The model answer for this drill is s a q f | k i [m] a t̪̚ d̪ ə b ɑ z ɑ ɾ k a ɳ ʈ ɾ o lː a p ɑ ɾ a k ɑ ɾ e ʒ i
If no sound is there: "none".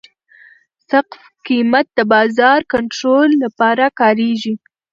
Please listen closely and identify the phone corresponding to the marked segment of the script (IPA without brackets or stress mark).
m